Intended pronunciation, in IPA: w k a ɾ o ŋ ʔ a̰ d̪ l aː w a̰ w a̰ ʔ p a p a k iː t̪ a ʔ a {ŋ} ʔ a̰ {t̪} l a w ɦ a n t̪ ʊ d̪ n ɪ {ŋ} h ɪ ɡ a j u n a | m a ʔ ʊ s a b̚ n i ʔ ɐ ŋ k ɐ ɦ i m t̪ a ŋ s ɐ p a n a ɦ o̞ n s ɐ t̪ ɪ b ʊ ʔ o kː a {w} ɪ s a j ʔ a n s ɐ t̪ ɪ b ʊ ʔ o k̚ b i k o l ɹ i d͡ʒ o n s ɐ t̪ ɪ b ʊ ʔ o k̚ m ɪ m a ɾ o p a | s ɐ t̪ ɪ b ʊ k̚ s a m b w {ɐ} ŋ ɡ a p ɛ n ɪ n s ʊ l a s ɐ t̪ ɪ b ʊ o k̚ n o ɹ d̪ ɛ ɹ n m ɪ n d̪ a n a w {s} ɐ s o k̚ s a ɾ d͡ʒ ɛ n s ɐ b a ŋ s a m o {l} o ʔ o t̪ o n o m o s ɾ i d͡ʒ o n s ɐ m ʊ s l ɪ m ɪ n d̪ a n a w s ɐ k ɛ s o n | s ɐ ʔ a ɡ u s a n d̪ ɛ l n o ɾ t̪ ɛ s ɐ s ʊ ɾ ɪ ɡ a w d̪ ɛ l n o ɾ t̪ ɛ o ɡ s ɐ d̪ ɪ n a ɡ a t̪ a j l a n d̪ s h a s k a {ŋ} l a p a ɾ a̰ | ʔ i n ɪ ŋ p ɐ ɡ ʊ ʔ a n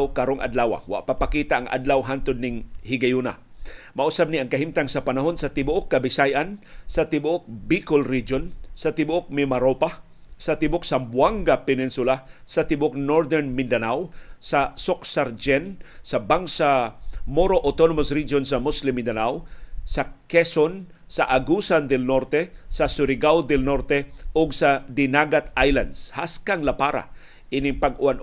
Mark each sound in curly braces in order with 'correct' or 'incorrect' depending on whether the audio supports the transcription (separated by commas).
correct, incorrect, correct, incorrect, incorrect, correct, incorrect, correct